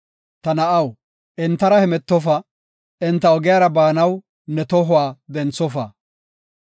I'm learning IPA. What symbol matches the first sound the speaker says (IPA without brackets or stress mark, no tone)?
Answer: t̪